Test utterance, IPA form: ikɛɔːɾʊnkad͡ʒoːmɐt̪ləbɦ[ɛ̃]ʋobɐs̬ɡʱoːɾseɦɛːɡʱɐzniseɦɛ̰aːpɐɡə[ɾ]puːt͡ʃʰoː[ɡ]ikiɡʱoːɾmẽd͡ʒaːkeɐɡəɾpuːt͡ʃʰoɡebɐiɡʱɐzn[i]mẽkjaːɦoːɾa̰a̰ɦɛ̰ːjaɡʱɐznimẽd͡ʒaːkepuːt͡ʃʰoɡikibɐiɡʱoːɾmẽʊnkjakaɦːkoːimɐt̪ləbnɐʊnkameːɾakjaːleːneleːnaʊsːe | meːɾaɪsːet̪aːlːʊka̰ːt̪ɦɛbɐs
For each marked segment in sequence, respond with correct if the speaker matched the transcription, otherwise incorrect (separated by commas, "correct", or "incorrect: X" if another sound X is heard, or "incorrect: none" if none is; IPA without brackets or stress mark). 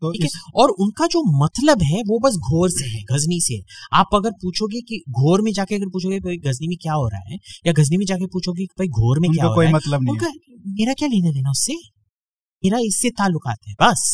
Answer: incorrect: ɛ, correct, correct, correct